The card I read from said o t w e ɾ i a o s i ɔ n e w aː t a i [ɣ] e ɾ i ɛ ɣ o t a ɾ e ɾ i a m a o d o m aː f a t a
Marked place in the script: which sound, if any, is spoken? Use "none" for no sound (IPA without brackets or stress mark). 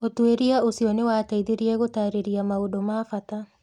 ð